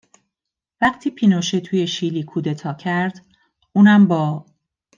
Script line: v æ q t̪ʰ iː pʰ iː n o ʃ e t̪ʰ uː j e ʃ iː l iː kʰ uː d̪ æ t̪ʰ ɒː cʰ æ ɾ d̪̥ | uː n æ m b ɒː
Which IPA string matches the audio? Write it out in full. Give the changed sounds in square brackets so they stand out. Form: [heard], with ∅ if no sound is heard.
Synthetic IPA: v æ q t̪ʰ iː pʰ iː n o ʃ e t̪ʰ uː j e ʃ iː l iː kʰ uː d̪ [e] t̪ʰ ɒː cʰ æ ɾ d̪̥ | uː n æ m b ɒː